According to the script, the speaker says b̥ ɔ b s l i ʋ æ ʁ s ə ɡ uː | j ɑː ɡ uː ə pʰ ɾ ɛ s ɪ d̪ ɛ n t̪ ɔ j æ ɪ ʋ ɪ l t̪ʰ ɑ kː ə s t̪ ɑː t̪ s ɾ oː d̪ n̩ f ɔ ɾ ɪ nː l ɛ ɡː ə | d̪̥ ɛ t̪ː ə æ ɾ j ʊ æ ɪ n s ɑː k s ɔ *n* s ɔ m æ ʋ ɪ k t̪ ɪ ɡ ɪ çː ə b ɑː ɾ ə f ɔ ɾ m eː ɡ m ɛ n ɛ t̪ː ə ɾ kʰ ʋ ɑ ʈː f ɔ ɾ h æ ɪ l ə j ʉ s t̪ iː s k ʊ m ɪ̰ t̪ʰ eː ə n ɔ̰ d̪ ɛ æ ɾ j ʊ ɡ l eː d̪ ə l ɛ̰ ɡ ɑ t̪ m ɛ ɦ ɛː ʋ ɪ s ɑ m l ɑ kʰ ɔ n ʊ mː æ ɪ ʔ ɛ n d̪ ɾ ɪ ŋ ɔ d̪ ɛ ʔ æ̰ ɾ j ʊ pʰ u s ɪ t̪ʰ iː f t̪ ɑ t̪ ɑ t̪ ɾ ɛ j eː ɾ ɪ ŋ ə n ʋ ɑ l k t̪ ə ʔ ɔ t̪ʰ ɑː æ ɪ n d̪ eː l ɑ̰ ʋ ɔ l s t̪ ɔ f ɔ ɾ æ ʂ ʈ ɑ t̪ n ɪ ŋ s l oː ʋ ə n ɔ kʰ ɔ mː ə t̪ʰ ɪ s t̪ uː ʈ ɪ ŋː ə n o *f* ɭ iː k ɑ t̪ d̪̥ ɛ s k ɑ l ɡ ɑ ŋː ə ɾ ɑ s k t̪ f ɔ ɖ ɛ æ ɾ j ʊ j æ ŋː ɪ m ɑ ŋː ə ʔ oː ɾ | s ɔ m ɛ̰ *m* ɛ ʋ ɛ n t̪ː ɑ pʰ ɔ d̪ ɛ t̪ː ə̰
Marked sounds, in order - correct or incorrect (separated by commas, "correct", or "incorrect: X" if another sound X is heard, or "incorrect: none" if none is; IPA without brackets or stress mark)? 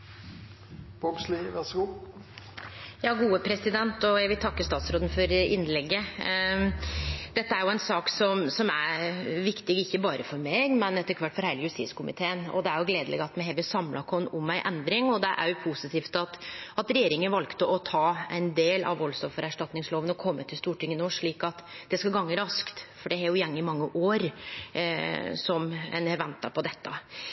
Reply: incorrect: m, incorrect: ʂ, incorrect: n